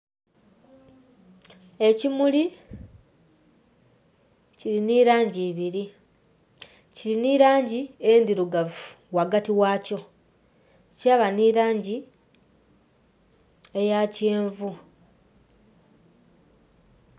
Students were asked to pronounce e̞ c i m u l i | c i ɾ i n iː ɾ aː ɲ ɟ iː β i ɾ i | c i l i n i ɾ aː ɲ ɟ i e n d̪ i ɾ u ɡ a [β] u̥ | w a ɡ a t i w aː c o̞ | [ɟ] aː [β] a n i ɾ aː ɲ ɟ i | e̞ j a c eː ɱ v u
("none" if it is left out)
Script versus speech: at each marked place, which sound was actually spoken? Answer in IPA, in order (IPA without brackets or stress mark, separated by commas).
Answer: v, c, β